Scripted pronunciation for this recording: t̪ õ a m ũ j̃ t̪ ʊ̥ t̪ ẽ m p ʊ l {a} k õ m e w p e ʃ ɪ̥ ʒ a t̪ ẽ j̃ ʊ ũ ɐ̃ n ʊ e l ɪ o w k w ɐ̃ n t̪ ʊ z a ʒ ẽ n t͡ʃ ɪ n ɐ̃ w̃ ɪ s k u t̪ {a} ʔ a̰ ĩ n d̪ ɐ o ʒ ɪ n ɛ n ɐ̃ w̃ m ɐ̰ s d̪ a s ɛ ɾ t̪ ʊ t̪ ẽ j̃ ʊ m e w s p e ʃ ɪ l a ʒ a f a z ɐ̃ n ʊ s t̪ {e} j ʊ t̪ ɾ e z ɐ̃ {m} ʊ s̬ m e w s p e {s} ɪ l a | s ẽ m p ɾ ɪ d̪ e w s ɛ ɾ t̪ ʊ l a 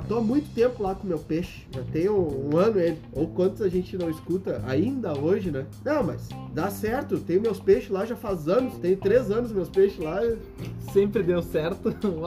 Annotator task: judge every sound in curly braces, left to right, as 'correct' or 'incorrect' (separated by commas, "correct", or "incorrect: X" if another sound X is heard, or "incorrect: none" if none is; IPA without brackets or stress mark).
correct, incorrect: ɐ, incorrect: ẽ, incorrect: n, incorrect: ʃ